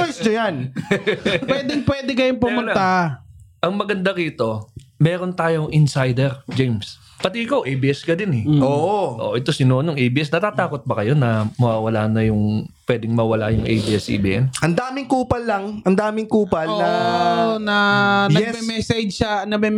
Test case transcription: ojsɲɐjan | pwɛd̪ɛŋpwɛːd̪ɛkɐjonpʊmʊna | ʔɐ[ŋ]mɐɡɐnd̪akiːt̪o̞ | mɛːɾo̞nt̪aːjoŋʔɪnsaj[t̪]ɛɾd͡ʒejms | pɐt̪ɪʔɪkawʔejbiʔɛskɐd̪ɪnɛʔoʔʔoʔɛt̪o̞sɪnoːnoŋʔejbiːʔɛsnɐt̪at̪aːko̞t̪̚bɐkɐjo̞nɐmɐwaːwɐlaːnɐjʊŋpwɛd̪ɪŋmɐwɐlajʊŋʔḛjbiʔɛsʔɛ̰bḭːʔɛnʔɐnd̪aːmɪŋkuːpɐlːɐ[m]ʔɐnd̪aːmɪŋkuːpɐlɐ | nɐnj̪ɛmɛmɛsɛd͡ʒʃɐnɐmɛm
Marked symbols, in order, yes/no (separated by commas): yes, no, no